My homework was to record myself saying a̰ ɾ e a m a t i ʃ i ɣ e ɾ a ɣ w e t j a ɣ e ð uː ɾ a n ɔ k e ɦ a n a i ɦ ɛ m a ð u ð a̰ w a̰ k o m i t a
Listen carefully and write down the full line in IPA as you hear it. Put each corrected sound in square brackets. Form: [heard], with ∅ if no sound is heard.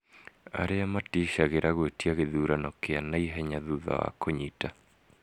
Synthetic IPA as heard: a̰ ɾ e a m a t i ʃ [a] ɣ e ɾ a ɣ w e t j a ɣ e ð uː ɾ a n ɔ k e [∅] a n a i ɦ ɛ [ɲ] a ð u ð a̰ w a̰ k o [ɲ] i t a